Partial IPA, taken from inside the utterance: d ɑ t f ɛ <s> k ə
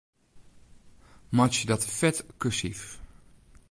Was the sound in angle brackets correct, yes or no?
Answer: no